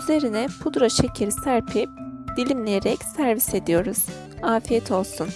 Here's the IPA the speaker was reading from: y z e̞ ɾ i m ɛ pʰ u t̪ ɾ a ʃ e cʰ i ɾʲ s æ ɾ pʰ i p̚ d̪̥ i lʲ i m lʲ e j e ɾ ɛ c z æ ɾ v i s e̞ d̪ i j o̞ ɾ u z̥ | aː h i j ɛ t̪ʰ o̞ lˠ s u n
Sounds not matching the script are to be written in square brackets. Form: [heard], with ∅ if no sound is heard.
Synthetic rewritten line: y z e̞ ɾ i [n] ɛ pʰ u [d̪] ɾ a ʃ e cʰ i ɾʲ s æ ɾ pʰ i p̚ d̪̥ i lʲ i m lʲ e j e ɾ ɛ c [s] æ ɾ v i s e̞ d̪ i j o̞ ɾ u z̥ | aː [f] i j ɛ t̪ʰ o̞ lˠ s u n